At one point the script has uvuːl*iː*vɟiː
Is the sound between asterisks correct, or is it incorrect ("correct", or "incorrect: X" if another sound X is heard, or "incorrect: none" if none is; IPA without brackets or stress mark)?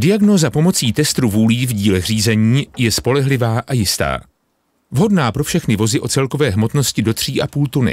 correct